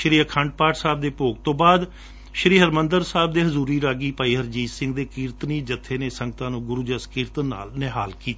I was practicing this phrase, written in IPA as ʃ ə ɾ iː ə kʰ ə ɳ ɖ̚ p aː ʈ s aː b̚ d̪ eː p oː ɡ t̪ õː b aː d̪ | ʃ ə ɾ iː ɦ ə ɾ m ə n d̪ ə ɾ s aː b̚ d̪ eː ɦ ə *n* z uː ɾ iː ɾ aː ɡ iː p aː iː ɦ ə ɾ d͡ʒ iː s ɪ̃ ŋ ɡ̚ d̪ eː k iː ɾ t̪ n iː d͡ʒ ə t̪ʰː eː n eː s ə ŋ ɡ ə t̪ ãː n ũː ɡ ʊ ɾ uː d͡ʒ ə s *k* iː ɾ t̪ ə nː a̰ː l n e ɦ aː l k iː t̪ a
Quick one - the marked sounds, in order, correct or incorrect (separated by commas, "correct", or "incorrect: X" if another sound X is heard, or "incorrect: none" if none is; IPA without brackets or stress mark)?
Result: incorrect: none, correct